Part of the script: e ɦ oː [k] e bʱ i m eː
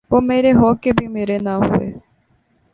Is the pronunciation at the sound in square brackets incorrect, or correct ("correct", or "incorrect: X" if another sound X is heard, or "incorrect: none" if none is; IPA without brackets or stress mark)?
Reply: correct